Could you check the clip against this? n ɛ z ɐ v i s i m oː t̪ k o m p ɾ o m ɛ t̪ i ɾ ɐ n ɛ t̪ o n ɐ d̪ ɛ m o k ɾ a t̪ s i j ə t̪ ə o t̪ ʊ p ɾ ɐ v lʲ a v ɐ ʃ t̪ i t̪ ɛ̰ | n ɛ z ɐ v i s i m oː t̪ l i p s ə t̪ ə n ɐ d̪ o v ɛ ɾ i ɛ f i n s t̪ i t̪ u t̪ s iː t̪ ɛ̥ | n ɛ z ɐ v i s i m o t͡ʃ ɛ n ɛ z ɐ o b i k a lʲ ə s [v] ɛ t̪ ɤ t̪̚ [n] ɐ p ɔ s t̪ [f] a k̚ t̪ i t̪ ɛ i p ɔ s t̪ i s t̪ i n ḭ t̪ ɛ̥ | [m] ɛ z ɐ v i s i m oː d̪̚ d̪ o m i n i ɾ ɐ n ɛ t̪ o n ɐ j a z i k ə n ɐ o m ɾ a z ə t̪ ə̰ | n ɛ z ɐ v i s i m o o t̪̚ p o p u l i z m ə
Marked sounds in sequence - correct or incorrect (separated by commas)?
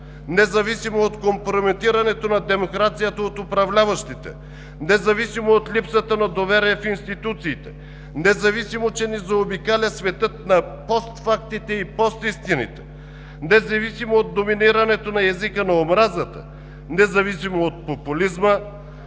correct, correct, correct, incorrect